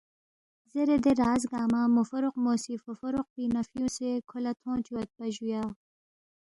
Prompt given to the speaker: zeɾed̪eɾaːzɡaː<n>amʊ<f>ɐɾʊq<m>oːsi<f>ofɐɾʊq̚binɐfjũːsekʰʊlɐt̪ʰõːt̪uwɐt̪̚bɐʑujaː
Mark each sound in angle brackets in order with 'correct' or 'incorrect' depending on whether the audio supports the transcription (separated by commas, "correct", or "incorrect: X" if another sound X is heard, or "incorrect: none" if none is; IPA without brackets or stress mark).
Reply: incorrect: m, correct, correct, correct